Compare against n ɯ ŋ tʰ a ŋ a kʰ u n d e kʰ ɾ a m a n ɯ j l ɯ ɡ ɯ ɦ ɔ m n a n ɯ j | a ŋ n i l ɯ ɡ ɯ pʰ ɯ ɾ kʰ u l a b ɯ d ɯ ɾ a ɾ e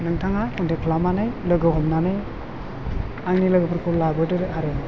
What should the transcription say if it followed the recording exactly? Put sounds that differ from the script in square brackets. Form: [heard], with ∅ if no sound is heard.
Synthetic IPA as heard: n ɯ ŋ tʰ a ŋ a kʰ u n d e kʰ [l] a m a n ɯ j l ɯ ɡ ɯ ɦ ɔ m n a n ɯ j | a ŋ n i l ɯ ɡ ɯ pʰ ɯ ɾ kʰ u l a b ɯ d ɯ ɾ a ɾ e